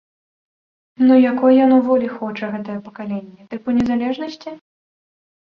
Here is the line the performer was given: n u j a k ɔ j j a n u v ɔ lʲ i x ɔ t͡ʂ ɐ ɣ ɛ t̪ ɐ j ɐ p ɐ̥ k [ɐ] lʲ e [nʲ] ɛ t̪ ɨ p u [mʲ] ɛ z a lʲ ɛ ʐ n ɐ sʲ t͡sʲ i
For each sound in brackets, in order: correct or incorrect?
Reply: incorrect, incorrect, incorrect

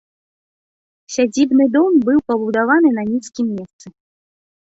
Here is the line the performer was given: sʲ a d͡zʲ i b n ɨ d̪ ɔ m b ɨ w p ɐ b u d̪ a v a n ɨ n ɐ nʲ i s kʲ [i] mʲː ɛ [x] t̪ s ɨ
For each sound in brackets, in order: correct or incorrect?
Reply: correct, incorrect

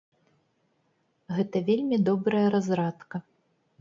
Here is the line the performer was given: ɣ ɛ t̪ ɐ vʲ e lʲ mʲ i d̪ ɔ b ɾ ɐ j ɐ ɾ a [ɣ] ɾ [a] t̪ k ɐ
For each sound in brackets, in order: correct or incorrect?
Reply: incorrect, correct

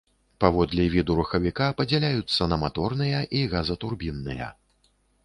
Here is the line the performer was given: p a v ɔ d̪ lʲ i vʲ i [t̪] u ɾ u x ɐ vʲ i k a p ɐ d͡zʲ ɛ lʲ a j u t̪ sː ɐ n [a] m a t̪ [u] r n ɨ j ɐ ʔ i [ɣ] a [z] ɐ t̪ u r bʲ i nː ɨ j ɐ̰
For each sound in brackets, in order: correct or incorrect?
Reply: incorrect, incorrect, incorrect, correct, correct

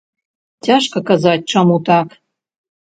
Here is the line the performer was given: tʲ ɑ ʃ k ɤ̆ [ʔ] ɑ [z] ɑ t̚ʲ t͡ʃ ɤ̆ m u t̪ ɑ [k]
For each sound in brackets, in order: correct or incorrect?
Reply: incorrect, correct, correct

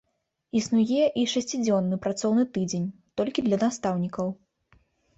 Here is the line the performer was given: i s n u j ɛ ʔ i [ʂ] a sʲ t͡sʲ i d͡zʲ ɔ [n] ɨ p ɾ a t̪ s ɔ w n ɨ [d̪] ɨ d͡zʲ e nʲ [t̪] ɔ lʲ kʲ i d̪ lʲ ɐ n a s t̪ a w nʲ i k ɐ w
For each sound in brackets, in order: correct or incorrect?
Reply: correct, incorrect, incorrect, correct

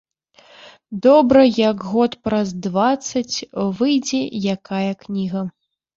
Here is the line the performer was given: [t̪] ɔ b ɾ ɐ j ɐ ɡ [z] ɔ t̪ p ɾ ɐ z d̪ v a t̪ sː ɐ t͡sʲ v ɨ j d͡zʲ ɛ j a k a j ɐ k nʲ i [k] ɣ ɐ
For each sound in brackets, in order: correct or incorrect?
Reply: incorrect, incorrect, incorrect

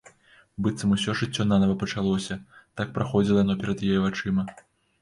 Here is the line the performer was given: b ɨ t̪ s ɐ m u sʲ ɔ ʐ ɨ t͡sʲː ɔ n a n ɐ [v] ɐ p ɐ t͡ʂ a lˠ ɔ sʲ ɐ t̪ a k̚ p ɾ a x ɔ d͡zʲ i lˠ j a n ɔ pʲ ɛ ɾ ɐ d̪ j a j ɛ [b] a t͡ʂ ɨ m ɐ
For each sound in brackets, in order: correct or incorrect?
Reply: correct, incorrect

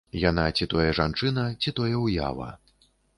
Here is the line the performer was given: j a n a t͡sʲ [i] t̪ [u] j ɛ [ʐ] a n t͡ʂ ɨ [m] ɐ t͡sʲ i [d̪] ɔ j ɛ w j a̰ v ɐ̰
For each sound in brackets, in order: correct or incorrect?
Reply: correct, incorrect, correct, incorrect, incorrect

